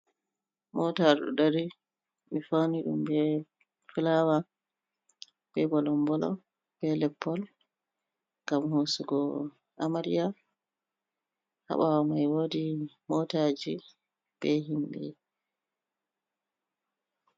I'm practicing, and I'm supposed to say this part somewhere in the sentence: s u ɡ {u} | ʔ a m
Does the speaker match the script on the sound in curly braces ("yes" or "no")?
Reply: no